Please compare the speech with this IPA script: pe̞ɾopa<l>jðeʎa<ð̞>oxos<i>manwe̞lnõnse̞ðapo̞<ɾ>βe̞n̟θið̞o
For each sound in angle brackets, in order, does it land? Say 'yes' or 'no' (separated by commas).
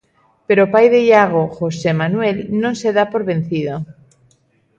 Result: no, no, no, yes